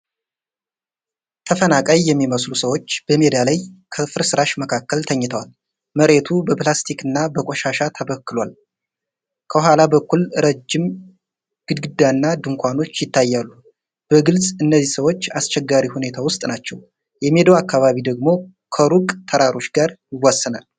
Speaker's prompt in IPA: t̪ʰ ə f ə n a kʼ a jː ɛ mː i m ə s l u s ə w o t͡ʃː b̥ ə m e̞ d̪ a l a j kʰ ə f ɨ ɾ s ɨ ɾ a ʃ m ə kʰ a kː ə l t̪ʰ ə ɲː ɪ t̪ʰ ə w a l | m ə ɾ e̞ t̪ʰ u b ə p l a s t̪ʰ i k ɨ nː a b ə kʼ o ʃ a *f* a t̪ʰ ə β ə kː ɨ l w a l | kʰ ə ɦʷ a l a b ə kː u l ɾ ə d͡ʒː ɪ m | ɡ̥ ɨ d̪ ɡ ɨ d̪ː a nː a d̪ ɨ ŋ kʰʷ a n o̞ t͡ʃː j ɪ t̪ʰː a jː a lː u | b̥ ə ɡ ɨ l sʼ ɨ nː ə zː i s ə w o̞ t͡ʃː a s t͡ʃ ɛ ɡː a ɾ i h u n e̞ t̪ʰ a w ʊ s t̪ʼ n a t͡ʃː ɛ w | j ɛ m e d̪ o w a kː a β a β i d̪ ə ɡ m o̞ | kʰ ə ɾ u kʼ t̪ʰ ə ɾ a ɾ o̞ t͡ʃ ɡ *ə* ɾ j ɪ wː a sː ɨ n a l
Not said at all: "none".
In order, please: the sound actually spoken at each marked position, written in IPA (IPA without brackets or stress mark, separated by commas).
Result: ʃ, a